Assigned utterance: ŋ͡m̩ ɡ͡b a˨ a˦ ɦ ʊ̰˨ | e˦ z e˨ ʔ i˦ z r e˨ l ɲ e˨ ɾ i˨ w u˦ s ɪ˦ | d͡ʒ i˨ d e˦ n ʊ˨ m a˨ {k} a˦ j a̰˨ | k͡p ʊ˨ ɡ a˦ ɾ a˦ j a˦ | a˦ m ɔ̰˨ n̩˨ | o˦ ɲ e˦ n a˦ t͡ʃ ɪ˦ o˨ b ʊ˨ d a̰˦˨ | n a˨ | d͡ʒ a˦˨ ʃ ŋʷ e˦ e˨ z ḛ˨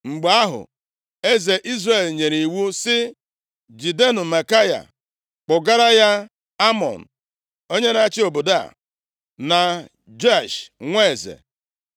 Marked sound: correct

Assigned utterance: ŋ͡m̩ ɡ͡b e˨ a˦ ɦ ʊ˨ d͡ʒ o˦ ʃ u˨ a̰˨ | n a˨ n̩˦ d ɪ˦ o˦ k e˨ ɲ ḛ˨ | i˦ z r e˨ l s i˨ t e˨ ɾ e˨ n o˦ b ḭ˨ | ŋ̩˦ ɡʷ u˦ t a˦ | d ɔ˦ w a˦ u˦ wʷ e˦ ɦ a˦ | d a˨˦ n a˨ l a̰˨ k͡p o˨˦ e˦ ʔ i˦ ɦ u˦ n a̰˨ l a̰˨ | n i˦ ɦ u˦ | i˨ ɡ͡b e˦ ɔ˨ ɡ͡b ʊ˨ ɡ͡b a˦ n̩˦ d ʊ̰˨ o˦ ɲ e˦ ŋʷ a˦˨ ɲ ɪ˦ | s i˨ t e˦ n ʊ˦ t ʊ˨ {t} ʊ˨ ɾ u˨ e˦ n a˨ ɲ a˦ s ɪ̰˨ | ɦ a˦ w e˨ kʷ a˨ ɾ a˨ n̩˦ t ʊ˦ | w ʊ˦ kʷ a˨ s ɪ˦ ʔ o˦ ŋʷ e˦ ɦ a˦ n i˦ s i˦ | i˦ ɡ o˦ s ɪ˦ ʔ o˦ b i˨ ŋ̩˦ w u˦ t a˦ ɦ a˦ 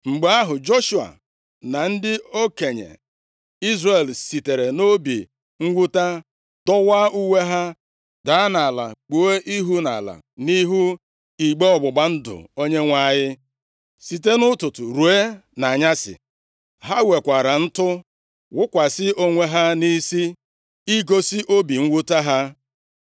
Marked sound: correct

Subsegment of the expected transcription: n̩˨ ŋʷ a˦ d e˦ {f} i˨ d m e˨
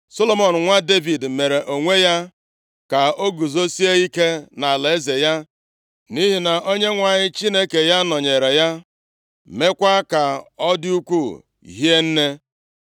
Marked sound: incorrect: v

